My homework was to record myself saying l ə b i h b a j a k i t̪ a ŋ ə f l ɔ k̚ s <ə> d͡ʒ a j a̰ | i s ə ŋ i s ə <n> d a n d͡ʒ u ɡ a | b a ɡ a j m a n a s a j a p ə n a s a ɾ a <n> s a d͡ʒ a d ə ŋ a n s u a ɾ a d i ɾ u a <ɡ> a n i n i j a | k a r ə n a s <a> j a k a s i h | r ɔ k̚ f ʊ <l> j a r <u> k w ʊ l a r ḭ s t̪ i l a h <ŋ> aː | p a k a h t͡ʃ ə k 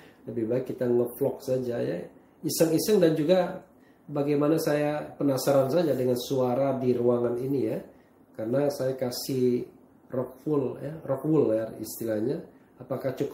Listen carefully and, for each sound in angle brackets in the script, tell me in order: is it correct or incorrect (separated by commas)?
incorrect, incorrect, correct, incorrect, correct, correct, incorrect, incorrect